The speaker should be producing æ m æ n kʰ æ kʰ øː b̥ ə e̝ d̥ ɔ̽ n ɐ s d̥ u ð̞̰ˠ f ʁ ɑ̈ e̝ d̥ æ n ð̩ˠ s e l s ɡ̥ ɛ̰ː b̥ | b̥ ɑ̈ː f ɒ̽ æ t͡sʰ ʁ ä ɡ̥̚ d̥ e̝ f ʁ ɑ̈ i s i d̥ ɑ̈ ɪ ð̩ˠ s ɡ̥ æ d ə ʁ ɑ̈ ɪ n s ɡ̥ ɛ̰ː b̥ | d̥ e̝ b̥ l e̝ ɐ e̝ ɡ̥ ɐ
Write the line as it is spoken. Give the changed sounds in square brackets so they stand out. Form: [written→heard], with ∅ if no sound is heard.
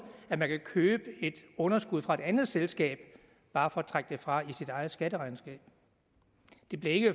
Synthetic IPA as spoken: æ m æ n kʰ æ kʰ øː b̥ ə e̝ d̥ ɔ̽ n ɐ s [d̥→ɡ̥] u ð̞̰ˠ f ʁ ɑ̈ e̝ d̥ æ n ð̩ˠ s e l s ɡ̥ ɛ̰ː b̥ | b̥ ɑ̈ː f ɒ̽ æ t͡sʰ ʁ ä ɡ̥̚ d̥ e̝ f ʁ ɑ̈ i s i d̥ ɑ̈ ɪ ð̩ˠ s ɡ̥ æ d ə ʁ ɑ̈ ɪ n s ɡ̥ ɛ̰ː b̥ | d̥ e̝ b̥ l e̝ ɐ e̝ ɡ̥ [ɐ→ə]